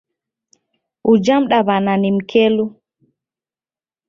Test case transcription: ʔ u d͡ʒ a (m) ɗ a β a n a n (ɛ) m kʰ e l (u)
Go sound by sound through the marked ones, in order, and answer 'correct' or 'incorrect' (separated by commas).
correct, incorrect, correct